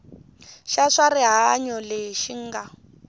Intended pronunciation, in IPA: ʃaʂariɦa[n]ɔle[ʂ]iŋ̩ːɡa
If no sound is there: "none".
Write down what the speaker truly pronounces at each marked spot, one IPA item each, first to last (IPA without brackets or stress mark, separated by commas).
ɲ, ʃ